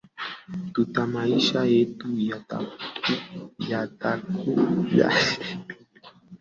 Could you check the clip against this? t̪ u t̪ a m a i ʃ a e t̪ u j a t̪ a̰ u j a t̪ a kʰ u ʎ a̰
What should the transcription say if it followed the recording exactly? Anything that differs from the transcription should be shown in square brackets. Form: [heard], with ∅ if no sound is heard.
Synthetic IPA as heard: t̪ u t̪ a m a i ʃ a e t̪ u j a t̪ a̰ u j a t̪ a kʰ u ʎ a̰